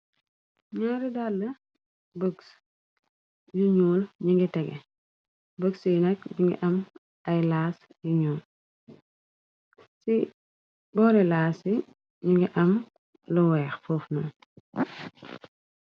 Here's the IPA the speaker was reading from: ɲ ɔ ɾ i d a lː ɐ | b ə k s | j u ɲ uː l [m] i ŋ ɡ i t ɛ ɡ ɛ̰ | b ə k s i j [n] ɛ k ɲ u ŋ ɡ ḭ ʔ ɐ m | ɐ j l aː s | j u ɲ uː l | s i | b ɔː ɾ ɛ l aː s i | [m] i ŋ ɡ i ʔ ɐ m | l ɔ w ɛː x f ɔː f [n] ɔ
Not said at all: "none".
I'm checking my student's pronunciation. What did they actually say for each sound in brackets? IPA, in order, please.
ɲ, n, ɲ, n

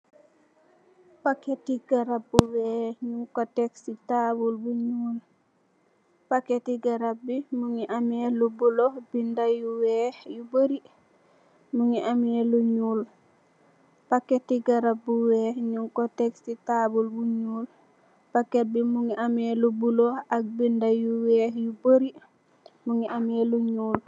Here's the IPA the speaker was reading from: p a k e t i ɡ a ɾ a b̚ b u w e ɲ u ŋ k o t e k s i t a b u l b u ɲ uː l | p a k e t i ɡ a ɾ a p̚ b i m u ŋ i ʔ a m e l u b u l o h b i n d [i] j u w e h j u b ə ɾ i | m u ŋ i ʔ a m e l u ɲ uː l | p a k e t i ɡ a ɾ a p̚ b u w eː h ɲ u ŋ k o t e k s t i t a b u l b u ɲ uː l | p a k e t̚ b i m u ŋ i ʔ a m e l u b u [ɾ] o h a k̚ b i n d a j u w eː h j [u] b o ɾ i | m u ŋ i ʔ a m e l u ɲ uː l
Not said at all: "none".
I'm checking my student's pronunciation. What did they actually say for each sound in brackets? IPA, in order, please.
a, l, u

